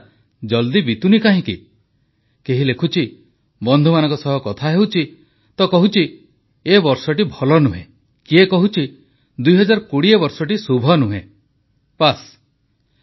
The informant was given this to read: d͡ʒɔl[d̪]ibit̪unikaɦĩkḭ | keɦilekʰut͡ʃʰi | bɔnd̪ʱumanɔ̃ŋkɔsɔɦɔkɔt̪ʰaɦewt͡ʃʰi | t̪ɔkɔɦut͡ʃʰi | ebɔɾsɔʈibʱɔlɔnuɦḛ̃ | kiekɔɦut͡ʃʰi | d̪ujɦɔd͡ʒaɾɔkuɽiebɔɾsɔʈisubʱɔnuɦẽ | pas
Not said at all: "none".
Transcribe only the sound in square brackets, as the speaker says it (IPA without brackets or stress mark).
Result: d̪